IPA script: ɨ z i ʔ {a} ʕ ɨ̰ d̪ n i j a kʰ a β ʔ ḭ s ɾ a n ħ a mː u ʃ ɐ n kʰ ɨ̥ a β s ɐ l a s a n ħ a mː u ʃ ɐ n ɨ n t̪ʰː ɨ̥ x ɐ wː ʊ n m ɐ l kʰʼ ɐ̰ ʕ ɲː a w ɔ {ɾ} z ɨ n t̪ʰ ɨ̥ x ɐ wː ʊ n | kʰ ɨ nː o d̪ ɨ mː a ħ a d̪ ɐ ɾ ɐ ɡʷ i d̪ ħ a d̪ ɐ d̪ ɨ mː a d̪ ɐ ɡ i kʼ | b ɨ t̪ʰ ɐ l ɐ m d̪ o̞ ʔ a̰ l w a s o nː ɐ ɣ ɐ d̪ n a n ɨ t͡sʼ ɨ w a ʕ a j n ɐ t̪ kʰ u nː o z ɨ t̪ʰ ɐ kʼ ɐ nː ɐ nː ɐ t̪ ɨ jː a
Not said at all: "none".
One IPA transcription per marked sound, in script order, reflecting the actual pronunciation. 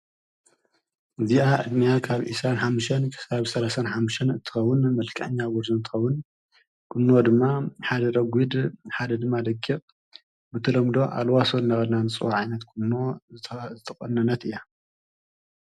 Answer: a, ɾ

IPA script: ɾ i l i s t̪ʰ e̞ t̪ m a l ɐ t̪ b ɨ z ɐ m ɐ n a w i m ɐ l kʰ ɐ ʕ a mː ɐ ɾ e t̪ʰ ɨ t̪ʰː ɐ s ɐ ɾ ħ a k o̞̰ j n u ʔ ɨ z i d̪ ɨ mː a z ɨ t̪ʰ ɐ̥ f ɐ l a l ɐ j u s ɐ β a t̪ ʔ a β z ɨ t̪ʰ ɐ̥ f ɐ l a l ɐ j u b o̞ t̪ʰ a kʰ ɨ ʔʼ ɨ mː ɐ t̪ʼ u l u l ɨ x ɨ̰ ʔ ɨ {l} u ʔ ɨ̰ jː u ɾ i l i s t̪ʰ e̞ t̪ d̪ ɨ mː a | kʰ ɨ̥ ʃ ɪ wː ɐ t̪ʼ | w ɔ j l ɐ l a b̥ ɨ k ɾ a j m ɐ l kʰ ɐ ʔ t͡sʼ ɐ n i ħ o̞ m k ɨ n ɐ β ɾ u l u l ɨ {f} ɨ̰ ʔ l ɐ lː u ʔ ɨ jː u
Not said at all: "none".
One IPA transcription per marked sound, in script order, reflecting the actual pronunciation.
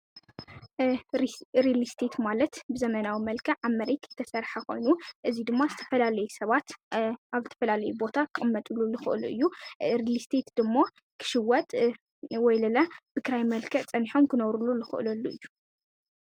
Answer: l, x

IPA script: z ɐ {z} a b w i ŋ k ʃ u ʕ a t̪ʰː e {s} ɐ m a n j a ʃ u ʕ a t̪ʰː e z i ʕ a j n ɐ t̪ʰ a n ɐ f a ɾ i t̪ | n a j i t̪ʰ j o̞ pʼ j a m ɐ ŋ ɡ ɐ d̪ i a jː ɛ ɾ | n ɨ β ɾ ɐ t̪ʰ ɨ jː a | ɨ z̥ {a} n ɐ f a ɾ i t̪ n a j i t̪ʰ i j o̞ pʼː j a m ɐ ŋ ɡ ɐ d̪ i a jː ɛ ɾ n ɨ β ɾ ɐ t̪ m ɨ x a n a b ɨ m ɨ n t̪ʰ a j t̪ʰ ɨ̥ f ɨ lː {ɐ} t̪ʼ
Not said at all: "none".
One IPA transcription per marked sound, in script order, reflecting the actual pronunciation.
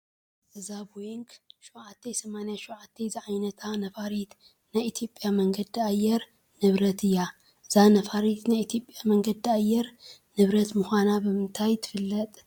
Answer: z, s, a, ɐ

